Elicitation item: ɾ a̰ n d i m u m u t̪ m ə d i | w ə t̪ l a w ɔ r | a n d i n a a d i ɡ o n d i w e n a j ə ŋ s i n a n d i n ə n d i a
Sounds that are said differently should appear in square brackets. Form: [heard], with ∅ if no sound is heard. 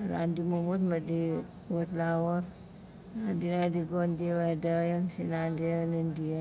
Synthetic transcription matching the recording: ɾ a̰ n d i m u m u t̪ m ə d i | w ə t̪ l a w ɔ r | a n d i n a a d i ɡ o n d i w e [d] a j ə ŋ s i n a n d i n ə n d i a